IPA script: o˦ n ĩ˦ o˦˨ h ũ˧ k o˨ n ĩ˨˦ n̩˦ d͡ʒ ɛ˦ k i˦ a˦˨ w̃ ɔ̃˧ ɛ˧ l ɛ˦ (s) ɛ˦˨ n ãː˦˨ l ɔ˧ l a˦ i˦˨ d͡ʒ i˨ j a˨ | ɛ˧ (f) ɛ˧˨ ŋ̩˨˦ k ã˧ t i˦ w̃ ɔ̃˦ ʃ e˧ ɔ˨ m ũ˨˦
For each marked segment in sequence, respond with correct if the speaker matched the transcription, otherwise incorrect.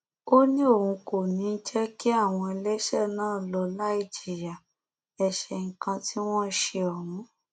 incorrect: ʃ, incorrect: ʃ

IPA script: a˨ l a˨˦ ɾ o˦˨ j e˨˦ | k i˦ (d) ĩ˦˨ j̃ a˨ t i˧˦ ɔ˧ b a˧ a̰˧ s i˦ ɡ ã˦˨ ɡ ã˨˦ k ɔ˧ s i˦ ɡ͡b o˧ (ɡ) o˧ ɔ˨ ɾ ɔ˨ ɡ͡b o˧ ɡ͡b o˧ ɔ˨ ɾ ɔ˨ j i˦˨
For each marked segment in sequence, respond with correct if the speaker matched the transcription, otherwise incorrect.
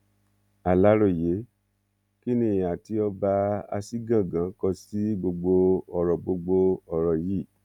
incorrect: n, incorrect: ɡ͡b

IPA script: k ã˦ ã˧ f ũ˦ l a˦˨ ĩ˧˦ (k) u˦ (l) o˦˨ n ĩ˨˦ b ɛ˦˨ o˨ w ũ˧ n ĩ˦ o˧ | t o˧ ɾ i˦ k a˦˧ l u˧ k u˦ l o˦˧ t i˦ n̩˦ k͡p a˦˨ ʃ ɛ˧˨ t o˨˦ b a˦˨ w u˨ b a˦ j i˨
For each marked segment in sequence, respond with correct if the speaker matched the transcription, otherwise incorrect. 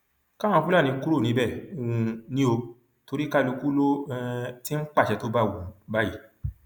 correct, incorrect: ɾ

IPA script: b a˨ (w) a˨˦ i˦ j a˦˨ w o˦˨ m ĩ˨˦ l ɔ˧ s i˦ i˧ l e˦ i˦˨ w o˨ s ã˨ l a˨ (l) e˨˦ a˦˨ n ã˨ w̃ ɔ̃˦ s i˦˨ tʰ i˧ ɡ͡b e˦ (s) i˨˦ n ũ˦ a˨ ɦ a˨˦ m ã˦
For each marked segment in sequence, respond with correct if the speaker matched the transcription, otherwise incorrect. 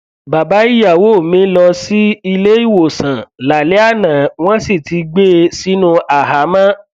incorrect: b, correct, correct

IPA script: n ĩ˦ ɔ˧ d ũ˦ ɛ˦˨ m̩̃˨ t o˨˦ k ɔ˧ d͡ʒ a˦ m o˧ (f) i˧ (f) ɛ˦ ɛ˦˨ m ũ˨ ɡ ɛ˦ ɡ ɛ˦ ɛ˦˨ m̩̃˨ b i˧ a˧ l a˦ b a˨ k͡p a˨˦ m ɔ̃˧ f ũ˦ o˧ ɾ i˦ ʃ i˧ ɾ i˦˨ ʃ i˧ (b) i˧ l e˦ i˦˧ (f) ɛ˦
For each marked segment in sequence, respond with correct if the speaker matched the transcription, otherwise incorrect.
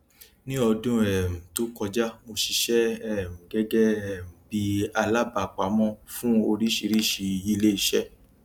incorrect: ʃ, incorrect: ʃ, incorrect: none, incorrect: ʃ

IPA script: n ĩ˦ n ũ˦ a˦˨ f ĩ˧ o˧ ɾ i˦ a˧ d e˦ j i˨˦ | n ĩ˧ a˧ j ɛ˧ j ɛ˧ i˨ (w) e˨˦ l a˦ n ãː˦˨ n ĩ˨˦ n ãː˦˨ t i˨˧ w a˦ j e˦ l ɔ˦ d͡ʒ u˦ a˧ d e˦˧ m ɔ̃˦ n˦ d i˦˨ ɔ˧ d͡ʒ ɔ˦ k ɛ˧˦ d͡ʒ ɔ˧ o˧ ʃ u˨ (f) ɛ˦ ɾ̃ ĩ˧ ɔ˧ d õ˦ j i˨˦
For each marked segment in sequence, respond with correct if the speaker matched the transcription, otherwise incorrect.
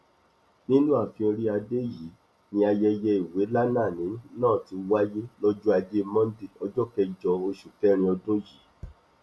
correct, correct

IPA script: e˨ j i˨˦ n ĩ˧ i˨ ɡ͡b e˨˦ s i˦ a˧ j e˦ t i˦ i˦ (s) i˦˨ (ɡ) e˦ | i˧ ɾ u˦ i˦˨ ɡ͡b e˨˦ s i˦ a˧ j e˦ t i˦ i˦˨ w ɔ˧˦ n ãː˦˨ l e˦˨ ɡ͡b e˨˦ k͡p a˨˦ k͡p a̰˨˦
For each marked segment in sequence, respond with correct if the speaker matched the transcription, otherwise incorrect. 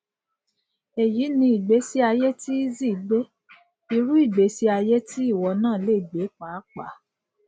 incorrect: z, incorrect: ɡ͡b

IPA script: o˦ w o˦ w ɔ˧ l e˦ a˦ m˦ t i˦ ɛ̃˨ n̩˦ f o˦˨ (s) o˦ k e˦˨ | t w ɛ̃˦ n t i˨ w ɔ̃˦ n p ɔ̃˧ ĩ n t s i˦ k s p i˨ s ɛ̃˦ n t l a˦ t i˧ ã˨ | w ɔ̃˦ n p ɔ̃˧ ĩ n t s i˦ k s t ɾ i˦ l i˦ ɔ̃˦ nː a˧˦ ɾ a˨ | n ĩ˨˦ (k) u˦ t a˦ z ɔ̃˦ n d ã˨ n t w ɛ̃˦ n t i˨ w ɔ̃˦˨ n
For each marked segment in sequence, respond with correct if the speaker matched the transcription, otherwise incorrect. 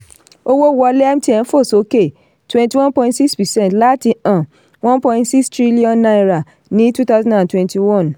correct, incorrect: t

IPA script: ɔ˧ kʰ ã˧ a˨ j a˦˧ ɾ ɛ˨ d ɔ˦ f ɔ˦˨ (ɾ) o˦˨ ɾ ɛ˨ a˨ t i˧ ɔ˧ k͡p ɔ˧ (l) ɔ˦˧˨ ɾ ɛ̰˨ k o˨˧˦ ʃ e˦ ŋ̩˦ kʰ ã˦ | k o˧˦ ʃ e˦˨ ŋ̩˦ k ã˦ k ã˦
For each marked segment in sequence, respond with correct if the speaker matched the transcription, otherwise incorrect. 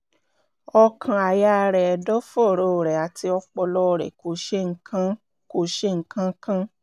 correct, correct

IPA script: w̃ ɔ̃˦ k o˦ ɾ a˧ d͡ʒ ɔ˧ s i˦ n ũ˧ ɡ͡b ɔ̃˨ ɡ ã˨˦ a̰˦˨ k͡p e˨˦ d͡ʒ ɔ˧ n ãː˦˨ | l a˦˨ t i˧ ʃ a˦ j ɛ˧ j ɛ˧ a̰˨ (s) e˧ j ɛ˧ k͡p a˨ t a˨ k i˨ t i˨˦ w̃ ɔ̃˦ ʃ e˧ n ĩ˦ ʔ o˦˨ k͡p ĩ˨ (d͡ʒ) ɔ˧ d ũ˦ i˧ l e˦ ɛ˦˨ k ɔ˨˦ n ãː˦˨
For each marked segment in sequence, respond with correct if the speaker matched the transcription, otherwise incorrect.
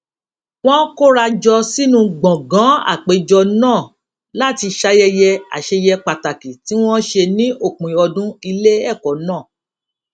incorrect: ʃ, incorrect: none

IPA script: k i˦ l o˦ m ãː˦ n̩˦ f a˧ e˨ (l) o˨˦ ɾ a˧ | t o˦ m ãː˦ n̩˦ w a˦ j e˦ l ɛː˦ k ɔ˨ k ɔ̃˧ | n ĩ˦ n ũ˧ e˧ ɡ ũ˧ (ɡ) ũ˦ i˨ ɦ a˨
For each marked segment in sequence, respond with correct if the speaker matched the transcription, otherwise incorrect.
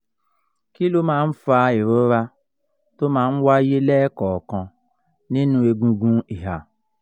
incorrect: ɾ, correct

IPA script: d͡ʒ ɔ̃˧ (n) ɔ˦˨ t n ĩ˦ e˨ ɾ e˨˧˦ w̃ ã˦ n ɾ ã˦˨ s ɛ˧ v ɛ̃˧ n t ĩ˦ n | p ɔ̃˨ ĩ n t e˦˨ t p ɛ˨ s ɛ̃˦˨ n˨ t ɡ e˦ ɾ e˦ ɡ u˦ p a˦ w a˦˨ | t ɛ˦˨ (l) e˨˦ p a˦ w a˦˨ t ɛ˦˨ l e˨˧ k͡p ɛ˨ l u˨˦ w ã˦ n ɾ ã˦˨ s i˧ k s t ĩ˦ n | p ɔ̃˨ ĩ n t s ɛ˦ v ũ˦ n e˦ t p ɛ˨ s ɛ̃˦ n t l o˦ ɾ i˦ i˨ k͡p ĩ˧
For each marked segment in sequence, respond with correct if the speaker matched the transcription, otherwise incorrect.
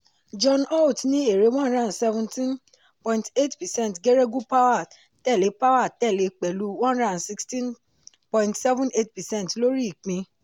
correct, correct

